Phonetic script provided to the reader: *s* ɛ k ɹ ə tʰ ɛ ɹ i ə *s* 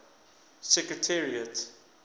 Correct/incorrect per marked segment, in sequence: correct, incorrect: t

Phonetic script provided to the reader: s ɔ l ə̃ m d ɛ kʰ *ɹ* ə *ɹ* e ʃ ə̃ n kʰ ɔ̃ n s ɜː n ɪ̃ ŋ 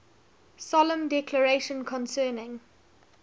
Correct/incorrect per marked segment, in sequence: incorrect: l, correct

